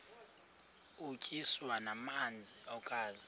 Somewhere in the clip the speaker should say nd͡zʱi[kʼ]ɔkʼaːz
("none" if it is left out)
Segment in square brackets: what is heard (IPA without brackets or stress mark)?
none